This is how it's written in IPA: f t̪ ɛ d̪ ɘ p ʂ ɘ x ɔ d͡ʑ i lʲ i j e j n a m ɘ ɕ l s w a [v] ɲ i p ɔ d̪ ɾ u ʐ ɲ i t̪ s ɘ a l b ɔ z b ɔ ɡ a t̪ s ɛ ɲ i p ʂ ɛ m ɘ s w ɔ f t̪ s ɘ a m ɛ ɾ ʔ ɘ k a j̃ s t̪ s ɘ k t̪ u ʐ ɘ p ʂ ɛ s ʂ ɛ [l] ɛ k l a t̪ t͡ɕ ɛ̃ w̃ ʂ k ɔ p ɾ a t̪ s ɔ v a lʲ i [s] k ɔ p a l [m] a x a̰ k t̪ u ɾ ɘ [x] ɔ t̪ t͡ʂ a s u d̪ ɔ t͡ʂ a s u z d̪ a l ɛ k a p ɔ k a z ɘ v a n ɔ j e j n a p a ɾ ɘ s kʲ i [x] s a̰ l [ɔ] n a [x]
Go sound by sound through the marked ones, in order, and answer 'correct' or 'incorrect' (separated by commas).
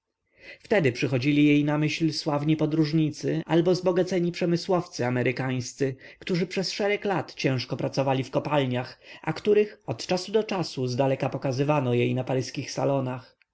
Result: correct, incorrect, incorrect, incorrect, correct, correct, correct, correct